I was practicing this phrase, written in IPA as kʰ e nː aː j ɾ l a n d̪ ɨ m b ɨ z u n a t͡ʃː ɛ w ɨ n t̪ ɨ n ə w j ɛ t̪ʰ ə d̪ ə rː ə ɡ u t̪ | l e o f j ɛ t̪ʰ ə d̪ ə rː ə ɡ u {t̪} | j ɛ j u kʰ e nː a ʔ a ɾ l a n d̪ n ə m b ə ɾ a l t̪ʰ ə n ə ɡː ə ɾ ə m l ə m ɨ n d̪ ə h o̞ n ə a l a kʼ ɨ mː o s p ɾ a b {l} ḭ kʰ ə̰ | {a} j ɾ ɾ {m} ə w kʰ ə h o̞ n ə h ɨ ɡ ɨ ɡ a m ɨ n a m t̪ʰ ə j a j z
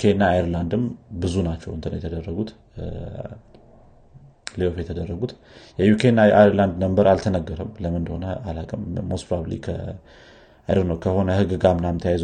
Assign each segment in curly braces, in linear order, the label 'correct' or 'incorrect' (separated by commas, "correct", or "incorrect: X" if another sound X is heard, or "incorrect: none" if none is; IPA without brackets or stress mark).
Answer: correct, correct, correct, incorrect: n